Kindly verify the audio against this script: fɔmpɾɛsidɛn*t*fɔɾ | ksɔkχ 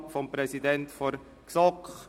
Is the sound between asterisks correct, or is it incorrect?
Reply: correct